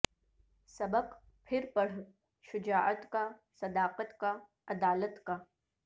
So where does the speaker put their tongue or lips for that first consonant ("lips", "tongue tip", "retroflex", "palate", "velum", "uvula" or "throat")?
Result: tongue tip